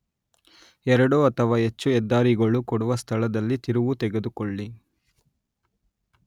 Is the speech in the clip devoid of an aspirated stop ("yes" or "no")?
no